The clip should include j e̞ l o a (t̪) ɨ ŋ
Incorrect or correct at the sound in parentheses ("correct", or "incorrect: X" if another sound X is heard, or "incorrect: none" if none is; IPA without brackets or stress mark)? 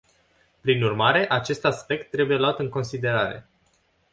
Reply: correct